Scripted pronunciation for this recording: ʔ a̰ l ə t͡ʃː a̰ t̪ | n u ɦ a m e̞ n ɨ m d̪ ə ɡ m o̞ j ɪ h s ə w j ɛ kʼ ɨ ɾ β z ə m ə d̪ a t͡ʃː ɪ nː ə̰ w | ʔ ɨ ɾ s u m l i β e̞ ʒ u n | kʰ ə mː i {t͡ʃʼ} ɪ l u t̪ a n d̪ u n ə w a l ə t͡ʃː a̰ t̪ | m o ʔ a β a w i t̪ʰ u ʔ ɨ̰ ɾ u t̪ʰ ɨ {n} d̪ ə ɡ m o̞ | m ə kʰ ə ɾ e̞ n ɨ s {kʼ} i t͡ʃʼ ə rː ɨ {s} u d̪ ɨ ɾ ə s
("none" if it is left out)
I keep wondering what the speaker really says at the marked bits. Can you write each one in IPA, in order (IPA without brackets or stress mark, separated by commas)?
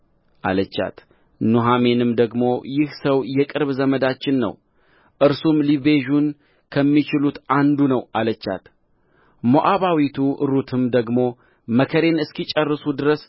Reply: t͡ʃ, m, k, s